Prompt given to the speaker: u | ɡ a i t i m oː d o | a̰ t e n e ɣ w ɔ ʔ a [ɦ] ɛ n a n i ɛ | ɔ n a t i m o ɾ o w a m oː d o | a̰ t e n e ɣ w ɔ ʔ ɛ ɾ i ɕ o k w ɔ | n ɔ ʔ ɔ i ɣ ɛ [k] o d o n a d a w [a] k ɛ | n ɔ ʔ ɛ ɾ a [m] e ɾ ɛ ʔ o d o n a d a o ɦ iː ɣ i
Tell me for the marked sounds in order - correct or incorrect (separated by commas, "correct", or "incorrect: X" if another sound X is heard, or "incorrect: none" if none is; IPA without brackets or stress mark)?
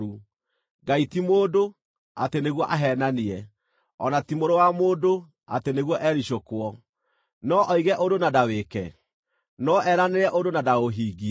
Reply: correct, incorrect: ʔ, incorrect: e, incorrect: n